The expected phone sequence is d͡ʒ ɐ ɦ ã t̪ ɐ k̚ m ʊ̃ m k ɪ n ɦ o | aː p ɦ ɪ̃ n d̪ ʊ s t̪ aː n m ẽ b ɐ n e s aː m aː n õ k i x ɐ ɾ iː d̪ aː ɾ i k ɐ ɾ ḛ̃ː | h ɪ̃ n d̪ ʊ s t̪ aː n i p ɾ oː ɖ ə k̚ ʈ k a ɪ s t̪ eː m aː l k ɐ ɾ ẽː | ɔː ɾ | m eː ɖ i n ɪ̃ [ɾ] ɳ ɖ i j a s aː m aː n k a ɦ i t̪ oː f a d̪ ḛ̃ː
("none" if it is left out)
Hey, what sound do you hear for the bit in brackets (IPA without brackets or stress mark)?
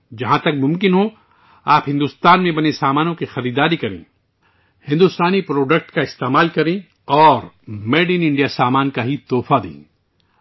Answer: none